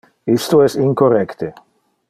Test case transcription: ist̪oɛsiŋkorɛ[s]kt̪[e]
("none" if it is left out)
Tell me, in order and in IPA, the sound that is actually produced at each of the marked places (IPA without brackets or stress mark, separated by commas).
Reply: none, e